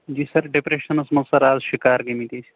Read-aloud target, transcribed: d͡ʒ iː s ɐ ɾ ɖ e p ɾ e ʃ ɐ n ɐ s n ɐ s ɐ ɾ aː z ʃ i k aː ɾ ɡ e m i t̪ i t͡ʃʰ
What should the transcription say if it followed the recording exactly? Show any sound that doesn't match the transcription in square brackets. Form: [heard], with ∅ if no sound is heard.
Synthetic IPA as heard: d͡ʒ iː s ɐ ɾ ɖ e p ɾ e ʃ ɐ n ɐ s [m] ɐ s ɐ ɾ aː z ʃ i k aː ɾ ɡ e m i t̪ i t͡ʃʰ

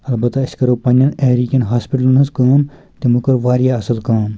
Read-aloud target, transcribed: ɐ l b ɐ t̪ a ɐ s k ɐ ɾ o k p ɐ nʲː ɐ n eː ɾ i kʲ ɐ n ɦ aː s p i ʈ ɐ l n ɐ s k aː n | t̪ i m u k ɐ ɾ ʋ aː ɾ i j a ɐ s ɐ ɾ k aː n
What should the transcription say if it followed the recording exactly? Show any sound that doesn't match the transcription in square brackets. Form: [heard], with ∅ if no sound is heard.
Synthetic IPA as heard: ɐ l b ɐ t̪ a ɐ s k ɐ ɾ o [∅] p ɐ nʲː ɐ n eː ɾ i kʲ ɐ n ɦ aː s p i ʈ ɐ l n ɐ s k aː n | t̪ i m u k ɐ ɾ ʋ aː ɾ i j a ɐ s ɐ [l] k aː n

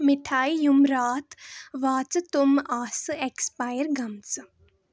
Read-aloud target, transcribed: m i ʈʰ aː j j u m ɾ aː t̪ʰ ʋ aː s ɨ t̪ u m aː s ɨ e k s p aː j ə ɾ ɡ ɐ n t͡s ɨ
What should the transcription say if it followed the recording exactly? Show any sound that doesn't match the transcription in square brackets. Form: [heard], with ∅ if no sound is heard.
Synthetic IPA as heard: m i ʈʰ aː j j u m ɾ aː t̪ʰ ʋ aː [t͡s] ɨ t̪ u m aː s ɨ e k s p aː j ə ɾ ɡ ɐ [m] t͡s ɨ

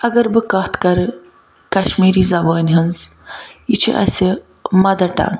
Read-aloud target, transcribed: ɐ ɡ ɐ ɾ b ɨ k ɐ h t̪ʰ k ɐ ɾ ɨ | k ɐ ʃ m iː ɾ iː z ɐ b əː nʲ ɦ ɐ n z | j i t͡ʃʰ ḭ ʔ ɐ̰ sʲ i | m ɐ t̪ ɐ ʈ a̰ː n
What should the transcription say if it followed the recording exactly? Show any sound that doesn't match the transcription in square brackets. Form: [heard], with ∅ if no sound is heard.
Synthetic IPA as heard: ɐ ɡ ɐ ɾ b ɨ k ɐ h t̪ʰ k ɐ ɾ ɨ | k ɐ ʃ m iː ɾ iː z ɐ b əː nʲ ɦ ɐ n z | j i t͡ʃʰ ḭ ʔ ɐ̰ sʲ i | m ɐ [d̪] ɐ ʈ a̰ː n

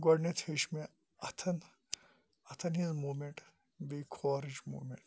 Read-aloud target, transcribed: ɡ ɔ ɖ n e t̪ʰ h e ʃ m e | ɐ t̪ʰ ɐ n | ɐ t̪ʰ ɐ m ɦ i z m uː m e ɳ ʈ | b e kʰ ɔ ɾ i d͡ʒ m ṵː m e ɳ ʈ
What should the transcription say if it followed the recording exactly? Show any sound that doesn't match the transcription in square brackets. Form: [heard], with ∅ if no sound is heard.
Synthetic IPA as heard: ɡ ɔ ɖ n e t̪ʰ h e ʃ m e | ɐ t̪ʰ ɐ n | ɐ t̪ʰ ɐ [n] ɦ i z m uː m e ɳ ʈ | b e kʰ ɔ ɾ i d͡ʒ m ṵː m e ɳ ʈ

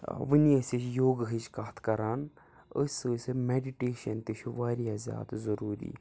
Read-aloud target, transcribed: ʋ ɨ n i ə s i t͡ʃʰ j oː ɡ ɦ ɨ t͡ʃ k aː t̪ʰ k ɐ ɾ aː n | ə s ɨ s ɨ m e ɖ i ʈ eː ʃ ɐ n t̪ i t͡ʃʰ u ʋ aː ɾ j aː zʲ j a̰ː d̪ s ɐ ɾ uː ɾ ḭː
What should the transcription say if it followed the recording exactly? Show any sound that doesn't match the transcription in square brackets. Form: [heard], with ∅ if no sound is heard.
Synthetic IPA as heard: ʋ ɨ n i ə s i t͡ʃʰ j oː ɡ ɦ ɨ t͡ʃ k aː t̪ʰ k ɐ ɾ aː n | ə s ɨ s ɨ m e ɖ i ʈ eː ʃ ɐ n t̪ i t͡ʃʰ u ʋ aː ɾ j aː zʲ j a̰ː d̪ [z] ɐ ɾ uː ɾ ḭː

